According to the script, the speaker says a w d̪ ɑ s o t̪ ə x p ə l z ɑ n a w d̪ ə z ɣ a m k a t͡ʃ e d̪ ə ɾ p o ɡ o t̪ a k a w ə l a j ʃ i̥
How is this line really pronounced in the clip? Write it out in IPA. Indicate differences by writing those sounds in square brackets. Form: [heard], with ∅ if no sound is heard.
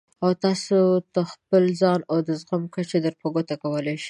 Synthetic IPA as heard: a w [t̪] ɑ s o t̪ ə x p ə l z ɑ n a w d̪ ə z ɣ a m k a t͡ʃ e d̪ ə ɾ p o ɡ o t̪ a k a w ə l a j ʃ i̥